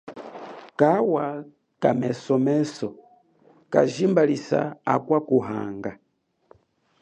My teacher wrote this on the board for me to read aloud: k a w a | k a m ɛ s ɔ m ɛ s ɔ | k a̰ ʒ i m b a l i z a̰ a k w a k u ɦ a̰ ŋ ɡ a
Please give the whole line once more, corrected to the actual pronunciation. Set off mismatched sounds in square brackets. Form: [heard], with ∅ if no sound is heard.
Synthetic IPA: k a w a | k a m ɛ s ɔ m ɛ s ɔ | k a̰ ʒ i m b a l i [s] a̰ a k w a k u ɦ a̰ ŋ ɡ a